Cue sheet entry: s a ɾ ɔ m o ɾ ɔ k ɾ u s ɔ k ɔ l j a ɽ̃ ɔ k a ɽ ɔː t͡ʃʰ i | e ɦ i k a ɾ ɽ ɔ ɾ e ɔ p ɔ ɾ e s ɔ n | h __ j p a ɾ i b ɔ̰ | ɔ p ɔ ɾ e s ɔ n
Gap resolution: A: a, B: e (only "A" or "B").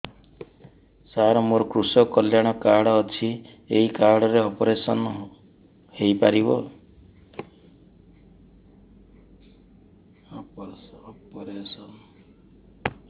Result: B